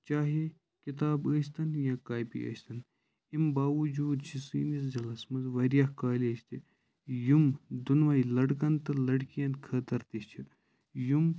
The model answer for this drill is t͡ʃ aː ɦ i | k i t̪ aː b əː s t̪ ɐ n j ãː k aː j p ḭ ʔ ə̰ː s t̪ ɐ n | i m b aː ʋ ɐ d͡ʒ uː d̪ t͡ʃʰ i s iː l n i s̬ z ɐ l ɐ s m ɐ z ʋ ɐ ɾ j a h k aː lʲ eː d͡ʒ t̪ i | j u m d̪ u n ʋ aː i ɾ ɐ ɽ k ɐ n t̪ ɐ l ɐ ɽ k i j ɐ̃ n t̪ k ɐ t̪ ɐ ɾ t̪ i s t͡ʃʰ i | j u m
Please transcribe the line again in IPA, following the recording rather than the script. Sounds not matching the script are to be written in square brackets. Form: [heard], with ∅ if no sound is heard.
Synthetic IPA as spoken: t͡ʃ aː ɦ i | k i t̪ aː b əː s t̪ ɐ n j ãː k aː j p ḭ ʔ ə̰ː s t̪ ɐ n | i m b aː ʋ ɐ d͡ʒ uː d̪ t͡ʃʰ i s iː [∅] n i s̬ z ɐ l ɐ s m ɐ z ʋ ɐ ɾ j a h k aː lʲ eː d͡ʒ t̪ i | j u m d̪ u n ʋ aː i [l] ɐ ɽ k ɐ n t̪ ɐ l ɐ ɽ k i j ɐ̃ n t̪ [kʰ] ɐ t̪ ɐ ɾ t̪ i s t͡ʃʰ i | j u m